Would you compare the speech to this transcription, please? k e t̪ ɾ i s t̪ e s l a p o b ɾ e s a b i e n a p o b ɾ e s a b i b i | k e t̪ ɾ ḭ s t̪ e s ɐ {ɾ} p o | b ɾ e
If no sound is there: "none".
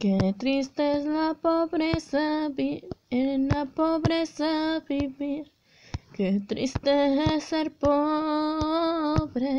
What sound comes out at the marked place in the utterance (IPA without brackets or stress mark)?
ɾ